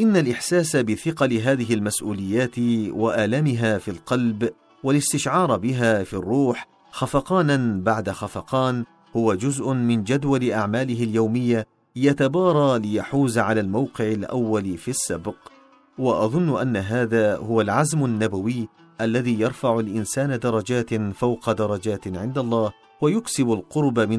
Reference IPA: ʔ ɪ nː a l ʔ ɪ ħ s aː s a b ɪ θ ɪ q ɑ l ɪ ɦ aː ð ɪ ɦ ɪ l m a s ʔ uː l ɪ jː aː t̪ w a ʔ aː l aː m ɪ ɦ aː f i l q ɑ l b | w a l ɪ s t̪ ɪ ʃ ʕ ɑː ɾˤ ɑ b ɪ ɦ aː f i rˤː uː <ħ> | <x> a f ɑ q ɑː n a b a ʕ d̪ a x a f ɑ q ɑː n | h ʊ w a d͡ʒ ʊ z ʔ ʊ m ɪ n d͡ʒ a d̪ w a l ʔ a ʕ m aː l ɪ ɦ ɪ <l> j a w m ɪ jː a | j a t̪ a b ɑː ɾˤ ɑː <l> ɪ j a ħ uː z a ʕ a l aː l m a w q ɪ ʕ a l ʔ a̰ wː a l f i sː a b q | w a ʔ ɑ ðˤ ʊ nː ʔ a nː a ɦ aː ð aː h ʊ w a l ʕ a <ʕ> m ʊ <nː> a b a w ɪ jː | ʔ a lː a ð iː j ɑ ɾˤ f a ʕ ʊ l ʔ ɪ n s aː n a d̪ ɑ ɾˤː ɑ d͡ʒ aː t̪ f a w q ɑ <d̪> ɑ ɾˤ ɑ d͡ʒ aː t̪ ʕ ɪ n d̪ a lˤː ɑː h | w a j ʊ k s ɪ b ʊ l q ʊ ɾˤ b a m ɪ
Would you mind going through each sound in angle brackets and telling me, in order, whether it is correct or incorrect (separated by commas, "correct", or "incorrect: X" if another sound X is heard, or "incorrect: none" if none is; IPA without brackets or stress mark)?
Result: correct, correct, correct, correct, incorrect: z, correct, correct